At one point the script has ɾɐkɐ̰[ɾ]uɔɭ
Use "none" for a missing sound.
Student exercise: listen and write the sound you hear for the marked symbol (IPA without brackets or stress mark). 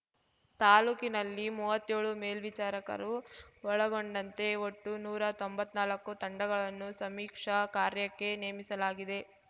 ɾ